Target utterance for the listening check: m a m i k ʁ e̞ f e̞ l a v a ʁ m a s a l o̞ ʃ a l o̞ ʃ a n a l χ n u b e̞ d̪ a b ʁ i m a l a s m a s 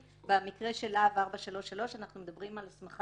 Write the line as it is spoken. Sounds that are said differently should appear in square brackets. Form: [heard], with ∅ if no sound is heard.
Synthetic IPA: [b] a m i k ʁ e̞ [ʃ] e̞ l a v a ʁ [b] a [ʃ] a l o̞ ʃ a l o̞ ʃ a n a [∅] χ n u [m] e̞ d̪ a b ʁ i m a l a s m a [χ]